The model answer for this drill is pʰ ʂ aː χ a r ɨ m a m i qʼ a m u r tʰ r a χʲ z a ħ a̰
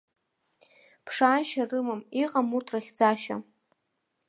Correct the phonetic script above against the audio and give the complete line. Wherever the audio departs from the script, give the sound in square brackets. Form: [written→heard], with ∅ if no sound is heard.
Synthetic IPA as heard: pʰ ʂ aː [χ→ʃ] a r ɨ m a m i qʼ a m u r tʰ r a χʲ [z→d͡z] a [ħ→ʃ] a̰